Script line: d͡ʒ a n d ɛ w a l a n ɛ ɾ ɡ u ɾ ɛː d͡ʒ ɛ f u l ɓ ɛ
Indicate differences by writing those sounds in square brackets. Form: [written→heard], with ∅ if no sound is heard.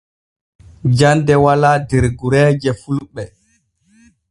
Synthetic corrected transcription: d͡ʒ a n d ɛ w a l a [n→d] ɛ ɾ ɡ u ɾ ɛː d͡ʒ ɛ f u l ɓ ɛ

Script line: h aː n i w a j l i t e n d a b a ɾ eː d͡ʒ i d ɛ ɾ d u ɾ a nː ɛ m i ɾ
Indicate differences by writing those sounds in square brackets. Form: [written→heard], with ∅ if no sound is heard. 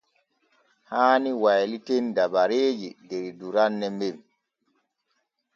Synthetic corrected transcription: h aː n i w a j l i t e n d a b a ɾ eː d͡ʒ i d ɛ ɾ d u ɾ a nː ɛ m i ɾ

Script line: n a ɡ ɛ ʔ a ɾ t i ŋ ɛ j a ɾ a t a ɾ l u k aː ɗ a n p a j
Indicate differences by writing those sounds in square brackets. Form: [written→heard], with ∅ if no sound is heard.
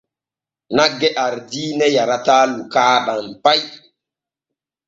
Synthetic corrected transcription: n a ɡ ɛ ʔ a ɾ [t→d] i [ŋ→n] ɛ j a ɾ a t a [ɾ→∅] l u k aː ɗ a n p a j

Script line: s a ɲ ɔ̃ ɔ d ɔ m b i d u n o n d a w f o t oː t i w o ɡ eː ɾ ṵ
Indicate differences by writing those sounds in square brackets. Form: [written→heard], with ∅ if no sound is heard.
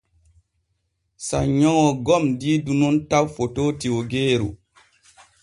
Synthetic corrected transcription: s a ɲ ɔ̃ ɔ [d→ɡ] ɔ m [b→d] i d u n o n [d→t] a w f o t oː t i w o ɡ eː ɾ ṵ

